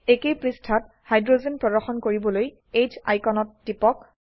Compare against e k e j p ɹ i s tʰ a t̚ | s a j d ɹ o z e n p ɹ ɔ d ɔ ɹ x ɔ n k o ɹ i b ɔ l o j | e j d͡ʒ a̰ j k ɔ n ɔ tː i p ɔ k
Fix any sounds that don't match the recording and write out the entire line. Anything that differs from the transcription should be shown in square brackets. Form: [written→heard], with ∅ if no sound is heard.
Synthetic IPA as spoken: e k e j p ɹ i s tʰ a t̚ | [s→h] a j d ɹ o z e n p ɹ ɔ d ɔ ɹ x ɔ n k o ɹ i b ɔ l o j | e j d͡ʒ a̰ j k ɔ n ɔ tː i p ɔ k